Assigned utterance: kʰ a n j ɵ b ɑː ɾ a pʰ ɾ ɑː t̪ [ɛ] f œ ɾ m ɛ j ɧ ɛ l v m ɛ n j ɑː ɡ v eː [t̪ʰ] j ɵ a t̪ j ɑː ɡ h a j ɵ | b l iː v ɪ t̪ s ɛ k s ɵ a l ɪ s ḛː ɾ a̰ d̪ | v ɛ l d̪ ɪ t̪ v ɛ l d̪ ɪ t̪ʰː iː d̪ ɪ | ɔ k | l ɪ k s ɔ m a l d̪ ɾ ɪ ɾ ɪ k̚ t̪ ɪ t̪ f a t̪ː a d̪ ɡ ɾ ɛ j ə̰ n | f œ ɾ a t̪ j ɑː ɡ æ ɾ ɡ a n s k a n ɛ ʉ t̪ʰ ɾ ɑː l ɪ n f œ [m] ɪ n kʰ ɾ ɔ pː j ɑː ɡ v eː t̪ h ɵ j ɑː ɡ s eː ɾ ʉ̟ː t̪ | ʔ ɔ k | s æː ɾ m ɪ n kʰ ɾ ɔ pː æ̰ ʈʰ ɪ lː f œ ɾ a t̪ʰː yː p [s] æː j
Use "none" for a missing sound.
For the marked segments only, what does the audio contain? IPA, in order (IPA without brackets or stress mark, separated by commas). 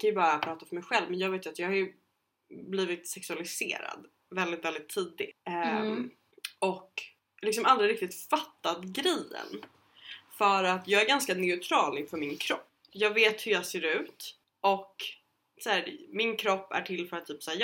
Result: a, t̪, m, s